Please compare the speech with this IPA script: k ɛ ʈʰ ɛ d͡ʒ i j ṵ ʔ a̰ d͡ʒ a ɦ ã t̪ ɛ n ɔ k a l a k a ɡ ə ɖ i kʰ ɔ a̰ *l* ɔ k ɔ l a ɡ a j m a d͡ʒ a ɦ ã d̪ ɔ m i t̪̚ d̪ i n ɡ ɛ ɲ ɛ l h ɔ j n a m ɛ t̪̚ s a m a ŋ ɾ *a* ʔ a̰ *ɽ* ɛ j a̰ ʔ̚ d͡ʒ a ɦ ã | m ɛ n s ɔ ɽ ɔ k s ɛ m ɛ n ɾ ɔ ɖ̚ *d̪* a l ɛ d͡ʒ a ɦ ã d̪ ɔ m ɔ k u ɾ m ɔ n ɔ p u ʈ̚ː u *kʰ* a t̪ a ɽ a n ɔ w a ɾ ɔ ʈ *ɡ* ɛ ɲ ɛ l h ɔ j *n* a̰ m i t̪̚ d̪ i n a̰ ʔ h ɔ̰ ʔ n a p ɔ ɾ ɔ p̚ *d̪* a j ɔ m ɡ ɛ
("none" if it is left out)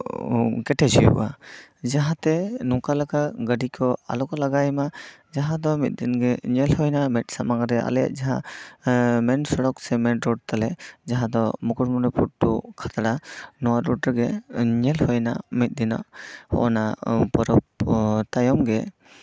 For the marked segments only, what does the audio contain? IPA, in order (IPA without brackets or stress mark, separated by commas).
l, ɛ, l, t̪, kʰ, ɡ, n, t̪